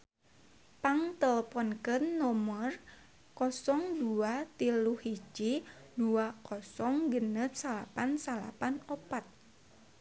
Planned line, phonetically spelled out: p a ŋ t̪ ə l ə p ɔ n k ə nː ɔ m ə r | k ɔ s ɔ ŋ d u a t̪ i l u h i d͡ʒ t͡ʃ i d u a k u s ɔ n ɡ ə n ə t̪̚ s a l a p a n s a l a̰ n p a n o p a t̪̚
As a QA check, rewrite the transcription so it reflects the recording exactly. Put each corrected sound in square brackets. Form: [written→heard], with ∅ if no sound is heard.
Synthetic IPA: p a ŋ t̪ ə l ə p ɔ n k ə nː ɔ m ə r | k ɔ s ɔ ŋ d u a t̪ i l u h i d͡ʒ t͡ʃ i d u a k [u→ɔ] s ɔ [n→ŋ] ɡ ə n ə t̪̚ s a l a p a n s a l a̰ [n→∅] p a n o p a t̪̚